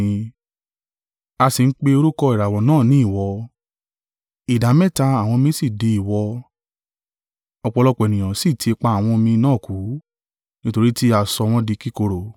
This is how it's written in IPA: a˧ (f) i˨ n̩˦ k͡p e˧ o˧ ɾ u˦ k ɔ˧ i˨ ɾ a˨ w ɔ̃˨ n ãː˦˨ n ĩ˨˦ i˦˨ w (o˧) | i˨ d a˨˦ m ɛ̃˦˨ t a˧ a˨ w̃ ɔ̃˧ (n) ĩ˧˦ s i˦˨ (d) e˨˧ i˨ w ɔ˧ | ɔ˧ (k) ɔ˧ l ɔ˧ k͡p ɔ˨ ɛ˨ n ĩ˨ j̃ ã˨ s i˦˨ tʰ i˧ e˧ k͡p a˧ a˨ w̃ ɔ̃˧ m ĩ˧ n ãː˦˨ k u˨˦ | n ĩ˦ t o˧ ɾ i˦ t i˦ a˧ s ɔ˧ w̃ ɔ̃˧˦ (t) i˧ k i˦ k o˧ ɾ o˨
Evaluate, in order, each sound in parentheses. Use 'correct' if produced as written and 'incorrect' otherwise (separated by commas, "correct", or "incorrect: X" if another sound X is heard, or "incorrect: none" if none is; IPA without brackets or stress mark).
incorrect: s, incorrect: ɔ˧, incorrect: m, correct, incorrect: k͡p, incorrect: d